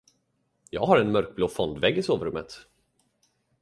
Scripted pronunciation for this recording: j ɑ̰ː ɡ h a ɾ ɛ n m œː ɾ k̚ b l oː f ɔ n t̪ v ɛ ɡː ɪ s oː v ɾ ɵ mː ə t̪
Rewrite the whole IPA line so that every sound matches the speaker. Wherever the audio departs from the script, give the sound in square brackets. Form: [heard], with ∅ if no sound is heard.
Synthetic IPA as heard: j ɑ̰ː ɡ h a ɾ ɛ n m [œ] ɾ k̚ b l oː f ɔ n [d̪] v ɛ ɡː ɪ s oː v ɾ ɵ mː ə t̪